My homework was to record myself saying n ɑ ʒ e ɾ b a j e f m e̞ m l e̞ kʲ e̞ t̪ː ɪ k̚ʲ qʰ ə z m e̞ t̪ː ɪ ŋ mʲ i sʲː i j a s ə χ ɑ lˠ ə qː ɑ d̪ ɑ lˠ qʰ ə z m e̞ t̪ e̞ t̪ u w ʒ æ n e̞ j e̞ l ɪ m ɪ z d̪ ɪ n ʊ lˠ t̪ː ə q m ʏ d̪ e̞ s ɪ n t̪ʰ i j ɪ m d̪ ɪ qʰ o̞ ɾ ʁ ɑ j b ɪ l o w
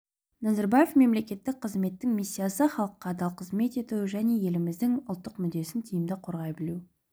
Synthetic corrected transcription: n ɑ z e ɾ b a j e f m e̞ m l e̞ kʲ e̞ t̪ː ɪ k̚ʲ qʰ ə z m e̞ t̪ː ɪ ŋ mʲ i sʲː i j a s ə χ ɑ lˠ ə qː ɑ d̪ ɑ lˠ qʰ ə z m e̞ t̪ e̞ t̪ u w ʒ æ n e̞ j e̞ l ɪ m ɪ z d̪ ɪ ŋ ʊ lˠ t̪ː ə q m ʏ d̪ e̞ s ɪ n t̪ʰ i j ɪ m d̪ ɪ qʰ o̞ ɾ ʁ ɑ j b ɪ l u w